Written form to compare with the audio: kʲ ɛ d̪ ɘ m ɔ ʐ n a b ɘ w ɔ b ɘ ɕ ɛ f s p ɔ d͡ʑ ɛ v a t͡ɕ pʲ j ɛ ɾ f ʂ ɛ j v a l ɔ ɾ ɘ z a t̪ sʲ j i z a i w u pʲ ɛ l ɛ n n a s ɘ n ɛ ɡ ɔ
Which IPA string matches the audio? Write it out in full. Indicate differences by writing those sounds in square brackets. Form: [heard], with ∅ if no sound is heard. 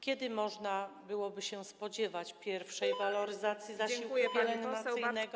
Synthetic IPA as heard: kʲ ɛ d̪ ɘ m ɔ ʐ n a b ɘ w ɔ b ɘ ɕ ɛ [∅] s p ɔ d͡ʑ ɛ v a t͡ɕ pʲ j ɛ ɾ f ʂ ɛ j v a l ɔ ɾ ɘ z a t̪ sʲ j i z a i w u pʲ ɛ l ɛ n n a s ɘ n ɛ ɡ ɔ